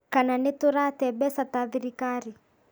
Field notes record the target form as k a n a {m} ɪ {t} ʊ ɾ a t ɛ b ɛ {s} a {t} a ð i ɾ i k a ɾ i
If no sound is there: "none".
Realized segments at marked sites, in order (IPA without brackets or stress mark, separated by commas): n, t, s, t